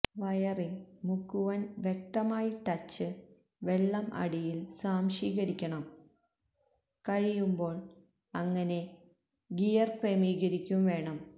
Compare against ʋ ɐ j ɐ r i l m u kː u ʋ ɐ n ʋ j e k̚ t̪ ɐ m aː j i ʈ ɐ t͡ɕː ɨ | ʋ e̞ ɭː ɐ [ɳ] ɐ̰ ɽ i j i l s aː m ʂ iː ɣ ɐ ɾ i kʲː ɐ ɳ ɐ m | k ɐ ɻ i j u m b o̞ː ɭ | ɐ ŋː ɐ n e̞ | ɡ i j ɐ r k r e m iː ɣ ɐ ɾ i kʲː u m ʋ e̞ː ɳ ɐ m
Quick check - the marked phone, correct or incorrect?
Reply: incorrect